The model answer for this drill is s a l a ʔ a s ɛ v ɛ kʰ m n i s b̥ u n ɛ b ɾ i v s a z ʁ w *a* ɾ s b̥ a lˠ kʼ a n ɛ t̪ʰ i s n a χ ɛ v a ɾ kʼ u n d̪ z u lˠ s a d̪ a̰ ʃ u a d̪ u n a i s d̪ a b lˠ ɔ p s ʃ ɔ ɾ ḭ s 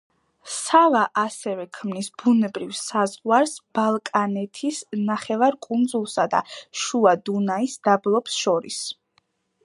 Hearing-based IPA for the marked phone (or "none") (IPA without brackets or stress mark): a